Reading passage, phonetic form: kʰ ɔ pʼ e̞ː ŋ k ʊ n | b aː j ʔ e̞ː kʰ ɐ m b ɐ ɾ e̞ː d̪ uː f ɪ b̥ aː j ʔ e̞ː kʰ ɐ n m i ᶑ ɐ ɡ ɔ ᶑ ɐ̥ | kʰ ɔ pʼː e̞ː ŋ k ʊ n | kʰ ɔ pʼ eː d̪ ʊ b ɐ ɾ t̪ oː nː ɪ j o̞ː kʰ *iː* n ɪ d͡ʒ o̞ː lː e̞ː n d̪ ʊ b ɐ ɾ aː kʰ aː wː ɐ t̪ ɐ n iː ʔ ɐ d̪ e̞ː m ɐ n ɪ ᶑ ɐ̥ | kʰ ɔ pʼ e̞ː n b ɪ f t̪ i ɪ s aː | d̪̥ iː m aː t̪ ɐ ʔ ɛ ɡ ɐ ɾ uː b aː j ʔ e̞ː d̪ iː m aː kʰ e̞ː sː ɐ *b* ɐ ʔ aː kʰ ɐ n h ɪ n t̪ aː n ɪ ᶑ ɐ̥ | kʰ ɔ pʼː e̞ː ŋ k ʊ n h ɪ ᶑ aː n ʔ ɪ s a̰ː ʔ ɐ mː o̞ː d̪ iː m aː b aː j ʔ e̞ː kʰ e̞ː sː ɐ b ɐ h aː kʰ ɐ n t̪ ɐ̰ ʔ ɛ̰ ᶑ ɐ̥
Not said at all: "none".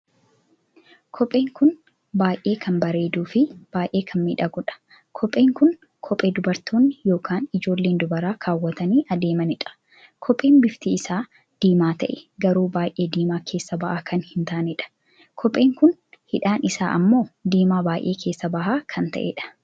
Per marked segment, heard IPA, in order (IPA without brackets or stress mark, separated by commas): aː, b